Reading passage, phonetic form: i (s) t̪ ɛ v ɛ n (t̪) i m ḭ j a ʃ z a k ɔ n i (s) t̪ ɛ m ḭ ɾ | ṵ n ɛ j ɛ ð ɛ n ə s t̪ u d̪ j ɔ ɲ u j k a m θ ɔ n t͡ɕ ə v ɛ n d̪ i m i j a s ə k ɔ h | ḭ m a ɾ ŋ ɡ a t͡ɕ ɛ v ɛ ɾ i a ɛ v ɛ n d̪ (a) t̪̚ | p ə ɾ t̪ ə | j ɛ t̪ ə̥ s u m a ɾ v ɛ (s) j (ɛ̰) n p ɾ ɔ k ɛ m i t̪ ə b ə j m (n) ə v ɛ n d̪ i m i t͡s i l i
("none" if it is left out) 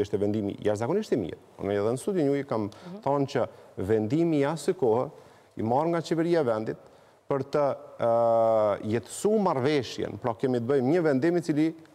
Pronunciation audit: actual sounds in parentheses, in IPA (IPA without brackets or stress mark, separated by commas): ʃ, d̪, ʃ, i, ʃ, ɛ̰, ɲ